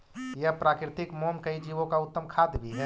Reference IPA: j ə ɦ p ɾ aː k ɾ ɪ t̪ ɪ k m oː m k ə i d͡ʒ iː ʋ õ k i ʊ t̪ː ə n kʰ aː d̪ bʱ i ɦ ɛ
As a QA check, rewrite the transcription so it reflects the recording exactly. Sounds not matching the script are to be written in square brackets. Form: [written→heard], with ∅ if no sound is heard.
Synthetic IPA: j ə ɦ p ɾ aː k ɾ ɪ t̪ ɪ k m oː m k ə i d͡ʒ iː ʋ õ k [i→a] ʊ t̪ː ə [n→m] kʰ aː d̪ bʱ i ɦ ɛ